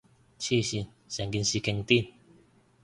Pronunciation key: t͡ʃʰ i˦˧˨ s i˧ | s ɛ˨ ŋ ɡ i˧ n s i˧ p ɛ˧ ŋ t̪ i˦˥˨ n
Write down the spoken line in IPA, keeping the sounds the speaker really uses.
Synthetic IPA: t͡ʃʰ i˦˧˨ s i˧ | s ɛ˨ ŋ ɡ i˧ n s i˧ k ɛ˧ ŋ t̪ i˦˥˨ n